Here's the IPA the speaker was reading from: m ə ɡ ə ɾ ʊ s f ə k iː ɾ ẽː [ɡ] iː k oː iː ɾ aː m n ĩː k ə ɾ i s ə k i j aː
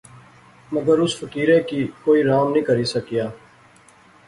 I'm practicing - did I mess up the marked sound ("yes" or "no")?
yes